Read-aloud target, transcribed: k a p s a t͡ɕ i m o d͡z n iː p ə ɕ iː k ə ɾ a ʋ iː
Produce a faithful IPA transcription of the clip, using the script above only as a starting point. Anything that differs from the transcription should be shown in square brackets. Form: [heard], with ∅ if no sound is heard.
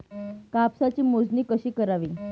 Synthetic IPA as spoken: k a p s a t͡ɕ [iː] m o d͡z n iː [k] ə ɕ iː k ə ɾ a ʋ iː